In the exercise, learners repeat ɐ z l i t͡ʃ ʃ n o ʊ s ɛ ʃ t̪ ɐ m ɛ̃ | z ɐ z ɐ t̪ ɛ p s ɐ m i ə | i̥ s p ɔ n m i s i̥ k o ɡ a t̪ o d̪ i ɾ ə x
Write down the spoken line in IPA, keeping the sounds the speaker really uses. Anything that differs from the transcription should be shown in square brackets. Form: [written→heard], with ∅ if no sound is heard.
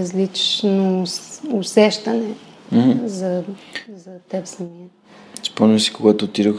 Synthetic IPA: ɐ z l i t͡ʃ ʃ n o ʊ s ɛ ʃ t̪ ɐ [m→n] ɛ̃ | z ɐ z ɐ t̪ ɛ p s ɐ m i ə | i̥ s p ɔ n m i s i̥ k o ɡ a t̪ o [d̪→t̪] i ɾ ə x